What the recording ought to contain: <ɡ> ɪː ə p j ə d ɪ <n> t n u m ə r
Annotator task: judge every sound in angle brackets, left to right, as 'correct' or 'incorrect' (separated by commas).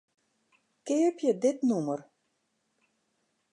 incorrect, incorrect